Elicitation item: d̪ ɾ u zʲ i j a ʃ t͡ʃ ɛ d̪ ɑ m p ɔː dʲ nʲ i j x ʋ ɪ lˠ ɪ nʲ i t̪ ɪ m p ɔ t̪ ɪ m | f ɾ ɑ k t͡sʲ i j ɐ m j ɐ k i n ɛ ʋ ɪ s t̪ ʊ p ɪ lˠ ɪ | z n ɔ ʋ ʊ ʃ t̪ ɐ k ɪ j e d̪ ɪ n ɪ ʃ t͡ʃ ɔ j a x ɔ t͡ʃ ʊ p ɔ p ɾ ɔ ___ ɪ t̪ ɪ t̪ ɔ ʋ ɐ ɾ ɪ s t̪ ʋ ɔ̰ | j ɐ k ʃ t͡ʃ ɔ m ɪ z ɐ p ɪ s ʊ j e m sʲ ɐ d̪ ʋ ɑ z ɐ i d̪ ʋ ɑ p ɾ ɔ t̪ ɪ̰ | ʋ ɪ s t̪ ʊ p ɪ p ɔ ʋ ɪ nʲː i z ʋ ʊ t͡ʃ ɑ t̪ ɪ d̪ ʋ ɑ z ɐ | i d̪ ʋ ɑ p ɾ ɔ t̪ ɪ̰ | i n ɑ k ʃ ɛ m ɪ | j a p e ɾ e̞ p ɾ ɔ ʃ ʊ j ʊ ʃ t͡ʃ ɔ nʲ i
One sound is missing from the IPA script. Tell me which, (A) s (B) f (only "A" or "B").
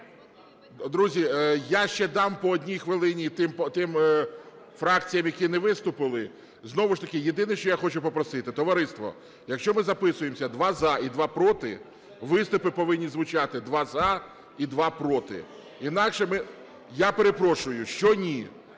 A